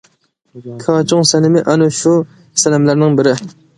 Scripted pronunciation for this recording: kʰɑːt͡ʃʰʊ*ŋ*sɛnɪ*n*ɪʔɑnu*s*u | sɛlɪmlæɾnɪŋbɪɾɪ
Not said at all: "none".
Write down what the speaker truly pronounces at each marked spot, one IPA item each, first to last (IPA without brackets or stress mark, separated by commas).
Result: ŋ, m, ʃ